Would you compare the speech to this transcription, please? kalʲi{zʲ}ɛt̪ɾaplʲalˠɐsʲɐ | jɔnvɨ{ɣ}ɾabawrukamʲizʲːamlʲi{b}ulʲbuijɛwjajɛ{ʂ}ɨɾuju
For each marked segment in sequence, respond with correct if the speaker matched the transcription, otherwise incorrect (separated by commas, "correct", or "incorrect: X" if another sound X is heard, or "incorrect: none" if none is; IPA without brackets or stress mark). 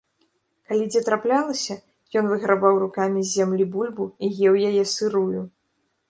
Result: incorrect: d͡zʲ, correct, correct, incorrect: s